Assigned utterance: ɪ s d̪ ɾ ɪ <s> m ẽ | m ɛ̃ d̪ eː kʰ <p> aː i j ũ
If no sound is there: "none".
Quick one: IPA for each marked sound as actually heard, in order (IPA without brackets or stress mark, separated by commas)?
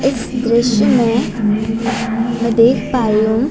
ʃ, p